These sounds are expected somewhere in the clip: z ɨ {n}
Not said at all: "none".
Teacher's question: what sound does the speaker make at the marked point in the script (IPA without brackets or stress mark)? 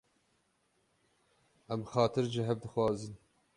n